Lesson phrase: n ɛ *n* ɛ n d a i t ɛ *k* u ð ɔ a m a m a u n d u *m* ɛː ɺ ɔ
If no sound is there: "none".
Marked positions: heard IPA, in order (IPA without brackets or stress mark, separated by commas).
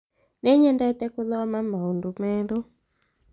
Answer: ɲ, k, m